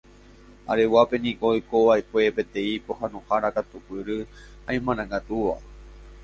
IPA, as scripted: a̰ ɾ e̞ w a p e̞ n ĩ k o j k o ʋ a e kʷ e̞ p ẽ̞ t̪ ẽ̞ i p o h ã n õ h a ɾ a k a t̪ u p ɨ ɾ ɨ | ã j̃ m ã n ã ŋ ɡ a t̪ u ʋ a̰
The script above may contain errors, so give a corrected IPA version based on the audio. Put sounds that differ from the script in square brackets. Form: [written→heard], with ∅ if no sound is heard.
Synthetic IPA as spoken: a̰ ɾ e̞ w a p e̞ n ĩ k o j k o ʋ a e kʷ e̞ p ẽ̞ t̪ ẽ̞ i p o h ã n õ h a ɾ a k a t̪ u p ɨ ɾ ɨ | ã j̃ m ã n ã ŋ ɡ a t̪ u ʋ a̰